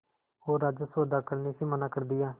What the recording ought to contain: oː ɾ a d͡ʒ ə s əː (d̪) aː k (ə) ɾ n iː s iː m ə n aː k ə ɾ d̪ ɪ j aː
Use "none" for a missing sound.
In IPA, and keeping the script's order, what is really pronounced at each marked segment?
d̪, ə

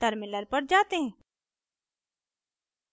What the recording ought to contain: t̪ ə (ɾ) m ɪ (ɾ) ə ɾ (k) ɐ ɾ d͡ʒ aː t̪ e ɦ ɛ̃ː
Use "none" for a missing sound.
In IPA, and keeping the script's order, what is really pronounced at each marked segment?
ɾ, l, p

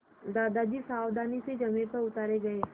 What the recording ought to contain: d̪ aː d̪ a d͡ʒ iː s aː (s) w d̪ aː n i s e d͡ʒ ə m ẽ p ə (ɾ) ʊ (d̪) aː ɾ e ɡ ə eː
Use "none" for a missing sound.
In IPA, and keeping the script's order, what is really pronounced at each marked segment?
none, ɾ, t̪

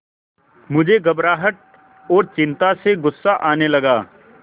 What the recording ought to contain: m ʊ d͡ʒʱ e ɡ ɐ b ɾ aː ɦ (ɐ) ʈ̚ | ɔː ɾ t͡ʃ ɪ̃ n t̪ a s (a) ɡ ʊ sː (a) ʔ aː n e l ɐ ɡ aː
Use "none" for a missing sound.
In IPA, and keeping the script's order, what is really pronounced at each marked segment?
ə, e, a

